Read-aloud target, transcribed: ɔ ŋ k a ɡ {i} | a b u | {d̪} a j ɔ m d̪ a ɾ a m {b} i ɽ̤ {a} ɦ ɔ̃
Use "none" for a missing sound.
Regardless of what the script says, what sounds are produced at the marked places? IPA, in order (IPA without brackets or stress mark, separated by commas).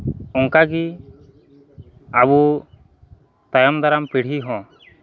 i, t̪, p, i